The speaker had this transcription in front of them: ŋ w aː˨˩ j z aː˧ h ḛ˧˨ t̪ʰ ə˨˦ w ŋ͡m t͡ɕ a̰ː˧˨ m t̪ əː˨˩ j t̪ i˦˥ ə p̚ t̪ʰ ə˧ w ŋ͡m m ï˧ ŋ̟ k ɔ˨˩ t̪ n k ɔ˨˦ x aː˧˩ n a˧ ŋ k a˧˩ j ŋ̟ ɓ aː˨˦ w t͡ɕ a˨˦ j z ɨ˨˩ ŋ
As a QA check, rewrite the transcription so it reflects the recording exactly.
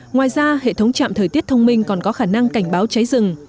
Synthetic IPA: ŋ w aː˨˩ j z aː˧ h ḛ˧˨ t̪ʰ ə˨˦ w ŋ͡m t͡ɕ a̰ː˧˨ m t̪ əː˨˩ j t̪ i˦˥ ə t̚ t̪ʰ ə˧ w ŋ͡m m ï˧ ŋ̟ k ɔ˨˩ n k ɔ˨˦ x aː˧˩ n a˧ ŋ k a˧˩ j ŋ̟ ɓ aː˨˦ w t͡ɕ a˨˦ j z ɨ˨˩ ŋ